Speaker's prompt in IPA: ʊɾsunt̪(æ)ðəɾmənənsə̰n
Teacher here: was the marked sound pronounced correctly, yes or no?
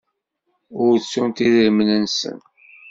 no